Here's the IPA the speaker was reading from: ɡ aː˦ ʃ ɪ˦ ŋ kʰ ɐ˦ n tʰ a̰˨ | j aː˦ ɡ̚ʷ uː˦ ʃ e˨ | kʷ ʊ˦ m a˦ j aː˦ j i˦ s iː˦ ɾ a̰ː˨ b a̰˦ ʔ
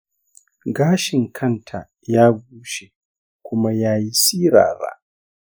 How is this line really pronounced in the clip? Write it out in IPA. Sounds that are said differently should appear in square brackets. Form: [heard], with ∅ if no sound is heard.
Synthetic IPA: ɡ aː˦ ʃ [ɪ˨] ŋ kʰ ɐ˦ n tʰ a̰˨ | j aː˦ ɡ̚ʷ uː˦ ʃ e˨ | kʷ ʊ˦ m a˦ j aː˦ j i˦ s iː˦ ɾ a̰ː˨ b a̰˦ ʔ

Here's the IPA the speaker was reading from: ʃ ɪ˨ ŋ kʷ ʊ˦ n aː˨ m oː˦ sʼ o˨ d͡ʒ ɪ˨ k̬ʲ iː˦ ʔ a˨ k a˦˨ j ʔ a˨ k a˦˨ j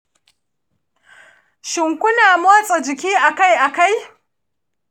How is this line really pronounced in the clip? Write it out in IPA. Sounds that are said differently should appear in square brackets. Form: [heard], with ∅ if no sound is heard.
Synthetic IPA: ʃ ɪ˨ ŋ kʷ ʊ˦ n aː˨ m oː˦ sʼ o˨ d͡ʒ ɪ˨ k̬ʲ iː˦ ʔ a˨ k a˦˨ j ʔ a˨ k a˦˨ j

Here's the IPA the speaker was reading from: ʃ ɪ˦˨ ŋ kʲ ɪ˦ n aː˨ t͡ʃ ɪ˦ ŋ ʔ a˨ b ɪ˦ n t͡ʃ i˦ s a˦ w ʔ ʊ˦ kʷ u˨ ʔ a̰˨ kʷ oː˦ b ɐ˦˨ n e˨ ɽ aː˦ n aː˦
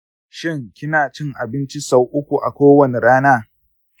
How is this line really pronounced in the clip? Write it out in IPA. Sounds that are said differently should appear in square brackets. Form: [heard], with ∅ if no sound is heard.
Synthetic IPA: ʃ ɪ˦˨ ŋ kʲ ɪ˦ n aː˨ t͡ʃ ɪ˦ ŋ ʔ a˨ b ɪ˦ n t͡ʃ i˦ s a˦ w ʔ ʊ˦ kʷ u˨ ʔ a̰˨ kʷ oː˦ [w] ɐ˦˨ n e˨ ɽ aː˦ n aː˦

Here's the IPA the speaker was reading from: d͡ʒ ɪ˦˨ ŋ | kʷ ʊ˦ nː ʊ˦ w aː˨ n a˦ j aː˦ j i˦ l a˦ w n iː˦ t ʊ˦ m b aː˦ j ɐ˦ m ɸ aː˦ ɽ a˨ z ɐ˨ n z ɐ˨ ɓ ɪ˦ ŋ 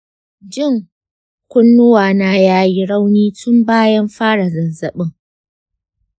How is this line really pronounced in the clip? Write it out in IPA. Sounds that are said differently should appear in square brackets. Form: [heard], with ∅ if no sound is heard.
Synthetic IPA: d͡ʒ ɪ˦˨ ŋ | kʷ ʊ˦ nː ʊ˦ w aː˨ n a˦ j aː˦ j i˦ [ɽ] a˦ w n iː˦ t ʊ˦ m b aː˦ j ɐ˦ m ɸ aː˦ ɽ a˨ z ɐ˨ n z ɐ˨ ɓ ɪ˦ ŋ

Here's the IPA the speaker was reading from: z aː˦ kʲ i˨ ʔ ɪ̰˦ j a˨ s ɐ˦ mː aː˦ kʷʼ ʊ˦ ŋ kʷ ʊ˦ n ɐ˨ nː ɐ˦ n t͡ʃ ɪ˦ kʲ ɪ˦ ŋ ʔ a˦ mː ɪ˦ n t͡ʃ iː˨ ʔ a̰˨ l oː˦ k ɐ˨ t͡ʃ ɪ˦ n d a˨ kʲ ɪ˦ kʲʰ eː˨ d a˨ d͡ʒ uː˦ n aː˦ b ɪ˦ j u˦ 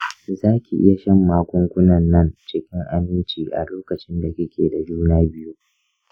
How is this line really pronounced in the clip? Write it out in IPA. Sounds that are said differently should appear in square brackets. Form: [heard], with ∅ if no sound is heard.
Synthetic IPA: z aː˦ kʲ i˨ ʔ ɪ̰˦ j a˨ [ʃ] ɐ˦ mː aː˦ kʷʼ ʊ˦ ŋ kʷ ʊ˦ n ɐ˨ nː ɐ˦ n t͡ʃ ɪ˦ kʲ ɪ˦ ŋ ʔ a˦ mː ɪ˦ n t͡ʃ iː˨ ʔ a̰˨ l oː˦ k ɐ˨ t͡ʃ ɪ˦ n d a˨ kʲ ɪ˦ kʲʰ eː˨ d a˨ d͡ʒ uː˦ n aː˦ b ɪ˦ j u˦

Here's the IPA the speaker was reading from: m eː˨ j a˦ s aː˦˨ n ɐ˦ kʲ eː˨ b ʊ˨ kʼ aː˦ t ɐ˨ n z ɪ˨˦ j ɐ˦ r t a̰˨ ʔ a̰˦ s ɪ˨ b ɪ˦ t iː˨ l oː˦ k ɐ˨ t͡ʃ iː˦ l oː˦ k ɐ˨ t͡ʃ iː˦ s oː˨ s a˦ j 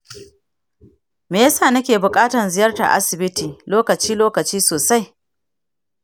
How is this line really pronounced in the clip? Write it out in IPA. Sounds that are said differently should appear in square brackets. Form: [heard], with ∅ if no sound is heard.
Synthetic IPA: m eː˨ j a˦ s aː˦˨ n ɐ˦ kʲ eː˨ b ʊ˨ kʼ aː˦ t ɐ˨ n z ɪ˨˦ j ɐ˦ r t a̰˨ ʔ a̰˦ s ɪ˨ b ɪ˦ t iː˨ l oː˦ k ɐ˨ t͡ʃ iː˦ l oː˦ k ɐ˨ t͡ʃ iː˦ s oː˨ s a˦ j

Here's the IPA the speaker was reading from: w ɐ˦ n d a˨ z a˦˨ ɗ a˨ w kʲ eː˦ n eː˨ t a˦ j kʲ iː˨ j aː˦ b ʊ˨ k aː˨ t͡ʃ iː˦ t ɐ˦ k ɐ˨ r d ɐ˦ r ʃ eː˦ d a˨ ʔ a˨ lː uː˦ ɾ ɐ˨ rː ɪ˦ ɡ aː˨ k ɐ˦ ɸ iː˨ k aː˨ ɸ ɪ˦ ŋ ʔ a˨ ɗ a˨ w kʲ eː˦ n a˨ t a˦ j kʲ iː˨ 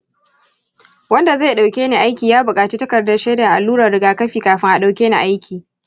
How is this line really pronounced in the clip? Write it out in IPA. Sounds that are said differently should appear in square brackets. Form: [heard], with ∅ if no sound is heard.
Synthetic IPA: w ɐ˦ n d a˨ z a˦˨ ɗ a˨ w kʲ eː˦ n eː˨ [ʔ] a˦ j kʲ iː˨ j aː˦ b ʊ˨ [kʼ] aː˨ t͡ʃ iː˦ t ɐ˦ k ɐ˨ r d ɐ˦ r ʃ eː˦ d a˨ ʔ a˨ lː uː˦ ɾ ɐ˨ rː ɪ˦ ɡ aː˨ k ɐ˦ ɸ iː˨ k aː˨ ɸ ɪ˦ ŋ ʔ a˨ ɗ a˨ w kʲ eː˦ n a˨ [ʔ] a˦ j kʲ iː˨

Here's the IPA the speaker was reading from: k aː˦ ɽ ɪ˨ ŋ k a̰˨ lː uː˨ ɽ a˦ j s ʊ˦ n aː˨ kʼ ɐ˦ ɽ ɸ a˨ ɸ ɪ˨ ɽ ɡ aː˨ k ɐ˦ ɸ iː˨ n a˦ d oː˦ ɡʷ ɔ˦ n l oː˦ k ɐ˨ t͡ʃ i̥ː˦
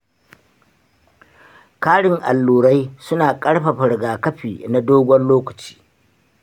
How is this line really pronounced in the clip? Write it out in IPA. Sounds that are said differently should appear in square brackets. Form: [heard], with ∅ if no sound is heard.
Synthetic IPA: k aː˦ ɽ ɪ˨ ŋ [ʔ] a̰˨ lː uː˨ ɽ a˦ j s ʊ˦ n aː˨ kʼ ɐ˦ ɽ ɸ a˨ ɸ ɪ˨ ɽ ɡ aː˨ k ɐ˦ ɸ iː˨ n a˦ d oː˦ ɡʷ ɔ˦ n l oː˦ k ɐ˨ t͡ʃ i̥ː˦

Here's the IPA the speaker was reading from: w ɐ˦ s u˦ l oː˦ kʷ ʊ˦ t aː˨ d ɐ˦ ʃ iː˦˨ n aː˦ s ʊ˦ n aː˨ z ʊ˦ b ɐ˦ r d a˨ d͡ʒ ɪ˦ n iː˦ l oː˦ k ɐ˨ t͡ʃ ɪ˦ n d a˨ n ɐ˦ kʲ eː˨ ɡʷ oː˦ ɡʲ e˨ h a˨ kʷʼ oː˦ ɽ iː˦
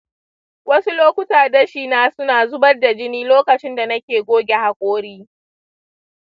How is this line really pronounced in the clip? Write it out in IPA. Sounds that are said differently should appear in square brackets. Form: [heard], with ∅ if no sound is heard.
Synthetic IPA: w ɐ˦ s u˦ l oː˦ kʷ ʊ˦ t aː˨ d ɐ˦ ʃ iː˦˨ n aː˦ s ʊ˦ n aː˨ z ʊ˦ b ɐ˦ r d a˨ d͡ʒ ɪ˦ n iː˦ l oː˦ k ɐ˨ t͡ʃ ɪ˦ n d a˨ n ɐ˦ kʲ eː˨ ɡʷ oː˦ ɡʲ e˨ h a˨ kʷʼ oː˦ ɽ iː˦

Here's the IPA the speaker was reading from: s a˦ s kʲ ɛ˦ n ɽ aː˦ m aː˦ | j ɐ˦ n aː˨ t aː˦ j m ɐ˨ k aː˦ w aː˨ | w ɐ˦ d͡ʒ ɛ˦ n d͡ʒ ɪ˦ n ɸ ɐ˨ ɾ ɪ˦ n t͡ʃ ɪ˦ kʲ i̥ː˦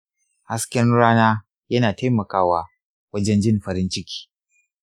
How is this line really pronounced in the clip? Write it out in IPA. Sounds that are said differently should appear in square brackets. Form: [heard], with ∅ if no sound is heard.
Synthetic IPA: [h] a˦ s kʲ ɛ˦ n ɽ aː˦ [n] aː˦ | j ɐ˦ n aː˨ t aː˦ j m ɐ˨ k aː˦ w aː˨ | w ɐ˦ d͡ʒ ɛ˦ n d͡ʒ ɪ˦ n ɸ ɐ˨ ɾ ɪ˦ n t͡ʃ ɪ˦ kʲ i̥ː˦

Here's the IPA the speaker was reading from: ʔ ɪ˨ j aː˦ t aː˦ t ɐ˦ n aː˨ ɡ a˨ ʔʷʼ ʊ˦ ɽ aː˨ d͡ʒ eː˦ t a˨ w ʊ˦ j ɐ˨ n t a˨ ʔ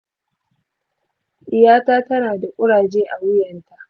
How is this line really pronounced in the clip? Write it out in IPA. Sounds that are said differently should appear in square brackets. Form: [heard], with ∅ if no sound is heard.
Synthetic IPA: ʔ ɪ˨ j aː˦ t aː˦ t ɐ˦ n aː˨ [d] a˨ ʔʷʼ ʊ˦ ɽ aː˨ d͡ʒ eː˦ [ʔ] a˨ w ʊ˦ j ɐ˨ n t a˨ ʔ

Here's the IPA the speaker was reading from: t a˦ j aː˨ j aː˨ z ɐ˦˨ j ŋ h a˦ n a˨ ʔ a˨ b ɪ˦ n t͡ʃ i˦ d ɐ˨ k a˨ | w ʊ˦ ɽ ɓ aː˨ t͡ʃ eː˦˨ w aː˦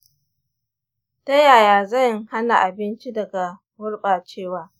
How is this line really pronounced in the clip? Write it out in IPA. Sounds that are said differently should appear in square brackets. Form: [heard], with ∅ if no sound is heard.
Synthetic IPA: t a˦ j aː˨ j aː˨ z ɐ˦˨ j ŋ h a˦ n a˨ ʔ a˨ b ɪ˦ n t͡ʃ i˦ d ɐ˨ [ɡ] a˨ | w ʊ˦ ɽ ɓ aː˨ t͡ʃ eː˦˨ w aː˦

